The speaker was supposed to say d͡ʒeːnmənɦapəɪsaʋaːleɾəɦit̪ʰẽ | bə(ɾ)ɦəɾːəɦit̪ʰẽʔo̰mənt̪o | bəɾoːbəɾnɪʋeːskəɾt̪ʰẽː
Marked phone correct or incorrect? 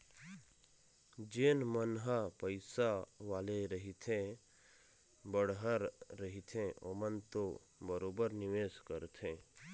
incorrect